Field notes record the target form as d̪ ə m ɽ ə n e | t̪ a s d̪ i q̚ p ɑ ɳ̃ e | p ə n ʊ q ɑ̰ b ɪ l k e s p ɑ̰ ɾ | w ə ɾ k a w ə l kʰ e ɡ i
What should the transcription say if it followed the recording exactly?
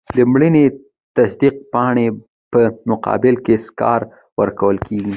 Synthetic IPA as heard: d̪ ə m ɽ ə n e | t̪ a s d̪ i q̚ p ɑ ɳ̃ e | p ə m ʊ q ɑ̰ b ɪ l k e s k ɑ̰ ɾ | w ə ɾ k a w ə l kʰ e ɡ i

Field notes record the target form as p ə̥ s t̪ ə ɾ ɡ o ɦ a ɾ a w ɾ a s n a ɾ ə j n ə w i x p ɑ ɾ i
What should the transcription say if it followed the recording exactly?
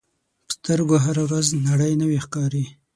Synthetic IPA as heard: p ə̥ s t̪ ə ɾ ɡ o ɦ a ɾ a w ɾ a z n a ɽ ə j n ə w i x k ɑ ɾ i

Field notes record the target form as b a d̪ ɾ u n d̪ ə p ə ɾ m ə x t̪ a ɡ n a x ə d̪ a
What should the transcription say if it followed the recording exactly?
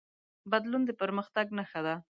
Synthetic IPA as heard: b a d̪ l u n d̪ ə p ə ɾ m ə x t̪ a ɡ n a x a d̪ a

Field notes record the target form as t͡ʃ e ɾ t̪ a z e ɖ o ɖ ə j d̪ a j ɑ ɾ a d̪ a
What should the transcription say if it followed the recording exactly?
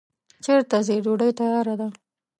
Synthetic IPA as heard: t͡ʃ e ɾ t̪ a z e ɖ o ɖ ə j t̪ a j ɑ ɾ a d̪ a

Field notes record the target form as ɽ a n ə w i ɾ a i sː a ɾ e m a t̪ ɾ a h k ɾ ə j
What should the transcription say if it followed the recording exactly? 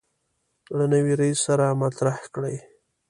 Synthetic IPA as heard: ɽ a n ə w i ɾ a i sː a ɾ a m a t̪ ɾ a h k ɽ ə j

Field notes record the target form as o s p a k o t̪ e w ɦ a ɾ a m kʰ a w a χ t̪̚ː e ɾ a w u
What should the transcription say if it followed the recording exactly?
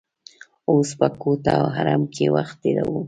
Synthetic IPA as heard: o s p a k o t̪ a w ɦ a ɾ a m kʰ e w a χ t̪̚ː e ɾ a w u

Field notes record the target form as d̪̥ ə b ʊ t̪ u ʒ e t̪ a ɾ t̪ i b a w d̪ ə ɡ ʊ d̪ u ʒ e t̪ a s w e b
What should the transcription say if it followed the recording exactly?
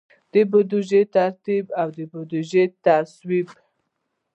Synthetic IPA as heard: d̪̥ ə b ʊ d̪ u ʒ e t̪ a ɾ t̪ i b a w d̪ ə b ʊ d̪ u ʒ e t̪ a s w i b

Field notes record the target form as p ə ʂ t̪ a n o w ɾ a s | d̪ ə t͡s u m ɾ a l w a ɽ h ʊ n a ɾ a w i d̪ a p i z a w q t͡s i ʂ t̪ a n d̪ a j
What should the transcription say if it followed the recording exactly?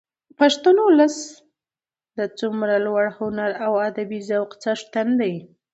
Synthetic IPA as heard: p a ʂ t̪ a n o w l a s | d̪ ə t͡s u m ɾ a l w a ɽ h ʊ n a ɾ a w a d̪ a b i z a w q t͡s a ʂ t̪ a n d̪ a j

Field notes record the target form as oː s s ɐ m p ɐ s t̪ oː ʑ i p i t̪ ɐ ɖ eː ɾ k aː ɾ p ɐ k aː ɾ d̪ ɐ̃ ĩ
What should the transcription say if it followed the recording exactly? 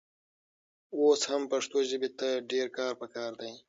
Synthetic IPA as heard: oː s h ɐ m p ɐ ʂ t̪ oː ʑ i b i t̪ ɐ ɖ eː ɾ k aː ɾ p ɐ k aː ɾ d̪ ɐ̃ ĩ

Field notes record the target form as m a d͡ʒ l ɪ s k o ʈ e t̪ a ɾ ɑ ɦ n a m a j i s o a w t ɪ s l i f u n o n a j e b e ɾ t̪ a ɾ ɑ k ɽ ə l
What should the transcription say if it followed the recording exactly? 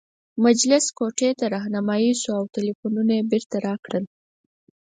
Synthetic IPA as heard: m a d͡ʒ l ɪ s k o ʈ e t̪ a ɾ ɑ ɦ n a m ɑ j i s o a w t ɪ l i f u n u n a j e b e ɾ t̪ a ɾ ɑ k ɽ ə l

